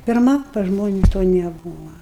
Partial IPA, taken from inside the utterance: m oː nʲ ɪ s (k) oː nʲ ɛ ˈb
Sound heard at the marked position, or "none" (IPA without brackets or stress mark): t